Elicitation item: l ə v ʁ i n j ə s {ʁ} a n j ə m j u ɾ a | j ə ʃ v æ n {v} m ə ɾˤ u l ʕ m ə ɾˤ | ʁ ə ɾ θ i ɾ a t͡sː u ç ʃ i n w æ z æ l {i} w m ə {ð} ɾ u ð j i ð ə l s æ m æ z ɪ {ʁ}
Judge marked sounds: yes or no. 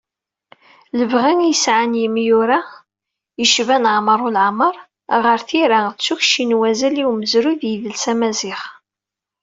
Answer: no, no, yes, no, no

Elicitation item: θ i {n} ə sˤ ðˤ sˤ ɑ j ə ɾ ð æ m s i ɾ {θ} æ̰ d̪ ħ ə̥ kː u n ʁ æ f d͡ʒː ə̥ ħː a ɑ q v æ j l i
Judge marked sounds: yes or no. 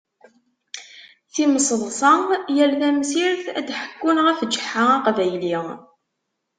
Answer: no, yes

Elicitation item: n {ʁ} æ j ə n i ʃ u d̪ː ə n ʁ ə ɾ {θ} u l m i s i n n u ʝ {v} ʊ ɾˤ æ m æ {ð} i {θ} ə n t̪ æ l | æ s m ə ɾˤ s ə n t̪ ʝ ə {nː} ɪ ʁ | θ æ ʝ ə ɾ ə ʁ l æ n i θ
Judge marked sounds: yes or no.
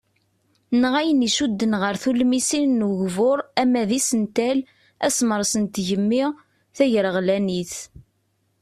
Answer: yes, yes, yes, yes, no, no

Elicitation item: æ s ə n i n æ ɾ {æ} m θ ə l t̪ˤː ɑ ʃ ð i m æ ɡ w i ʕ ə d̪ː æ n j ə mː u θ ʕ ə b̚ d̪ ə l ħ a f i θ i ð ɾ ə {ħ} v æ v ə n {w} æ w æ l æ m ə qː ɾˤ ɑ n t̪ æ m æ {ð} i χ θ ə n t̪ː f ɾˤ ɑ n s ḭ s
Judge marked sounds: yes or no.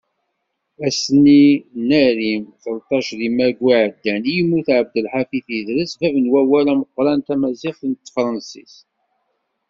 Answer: no, no, yes, no

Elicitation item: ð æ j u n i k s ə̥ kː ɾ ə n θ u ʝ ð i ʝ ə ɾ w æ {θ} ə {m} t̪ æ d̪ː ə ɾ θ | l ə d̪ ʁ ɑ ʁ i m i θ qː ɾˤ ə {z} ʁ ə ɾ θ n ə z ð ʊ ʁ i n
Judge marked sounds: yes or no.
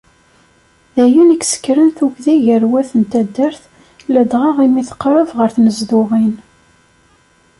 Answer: yes, no, no

